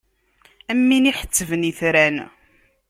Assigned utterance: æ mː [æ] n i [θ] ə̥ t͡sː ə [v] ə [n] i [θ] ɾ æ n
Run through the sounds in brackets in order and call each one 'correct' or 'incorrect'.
incorrect: i, incorrect: ħ, correct, correct, correct

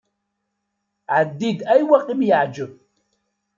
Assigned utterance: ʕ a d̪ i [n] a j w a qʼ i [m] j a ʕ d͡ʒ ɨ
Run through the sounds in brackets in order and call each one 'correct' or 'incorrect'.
incorrect: d, correct

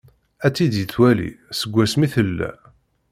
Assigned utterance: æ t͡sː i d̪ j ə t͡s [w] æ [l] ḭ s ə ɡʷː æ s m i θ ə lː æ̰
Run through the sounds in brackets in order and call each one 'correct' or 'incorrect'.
correct, correct

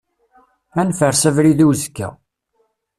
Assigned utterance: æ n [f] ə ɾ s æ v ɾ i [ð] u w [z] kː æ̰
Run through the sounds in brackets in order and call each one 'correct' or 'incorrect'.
correct, correct, correct

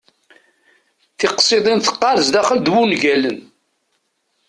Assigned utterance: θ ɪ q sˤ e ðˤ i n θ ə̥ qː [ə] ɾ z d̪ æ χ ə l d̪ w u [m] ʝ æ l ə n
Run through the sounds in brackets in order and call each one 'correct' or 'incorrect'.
incorrect: ɑ, incorrect: n

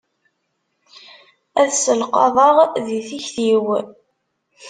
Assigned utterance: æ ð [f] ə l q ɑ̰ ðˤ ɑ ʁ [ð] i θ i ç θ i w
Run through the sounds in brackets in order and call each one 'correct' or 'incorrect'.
incorrect: s, correct

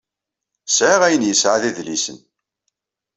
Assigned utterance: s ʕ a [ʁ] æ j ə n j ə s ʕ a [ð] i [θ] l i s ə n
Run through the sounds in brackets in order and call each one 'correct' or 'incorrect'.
correct, correct, incorrect: ð

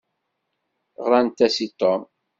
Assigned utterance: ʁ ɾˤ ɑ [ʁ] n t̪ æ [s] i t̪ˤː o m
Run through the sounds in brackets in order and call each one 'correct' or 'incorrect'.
incorrect: none, correct

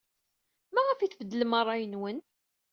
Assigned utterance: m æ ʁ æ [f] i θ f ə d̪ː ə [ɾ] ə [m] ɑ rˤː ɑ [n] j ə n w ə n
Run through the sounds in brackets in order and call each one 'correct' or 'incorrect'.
correct, incorrect: l, correct, incorrect: none

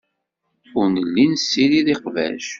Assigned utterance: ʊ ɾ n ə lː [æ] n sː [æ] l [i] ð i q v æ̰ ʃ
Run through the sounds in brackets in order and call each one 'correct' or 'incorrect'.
incorrect: i, incorrect: i, correct

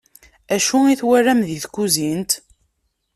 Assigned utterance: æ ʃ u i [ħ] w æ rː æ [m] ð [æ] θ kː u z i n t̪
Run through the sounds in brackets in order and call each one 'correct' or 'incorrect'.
incorrect: θ, correct, incorrect: i

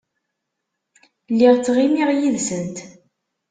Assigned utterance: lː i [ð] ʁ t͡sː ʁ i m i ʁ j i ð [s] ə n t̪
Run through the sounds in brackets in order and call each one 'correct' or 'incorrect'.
incorrect: none, correct

